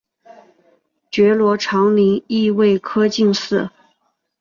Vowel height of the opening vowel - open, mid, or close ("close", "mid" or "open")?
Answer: mid